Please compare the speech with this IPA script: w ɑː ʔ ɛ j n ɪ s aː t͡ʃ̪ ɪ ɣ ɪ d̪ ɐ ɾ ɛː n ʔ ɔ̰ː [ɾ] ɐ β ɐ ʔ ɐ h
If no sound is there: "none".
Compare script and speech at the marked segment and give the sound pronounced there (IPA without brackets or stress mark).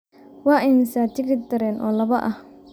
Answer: l